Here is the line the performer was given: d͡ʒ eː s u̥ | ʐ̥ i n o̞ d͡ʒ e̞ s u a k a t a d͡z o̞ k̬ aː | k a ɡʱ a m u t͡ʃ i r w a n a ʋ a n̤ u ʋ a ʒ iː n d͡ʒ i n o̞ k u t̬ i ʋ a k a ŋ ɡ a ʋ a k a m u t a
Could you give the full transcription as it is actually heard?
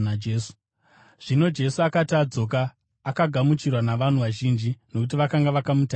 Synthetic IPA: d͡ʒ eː s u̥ | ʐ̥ i n o̞ d͡ʒ e̞ s u a k a t a d͡z o̞ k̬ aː | k a ɡʱ a m u t͡ʃ i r w a n a ʋ a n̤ u ʋ a ʒ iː n d͡ʒ i n o̞ k u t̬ i ʋ a k a ŋ ɡ a ʋ a k a m u t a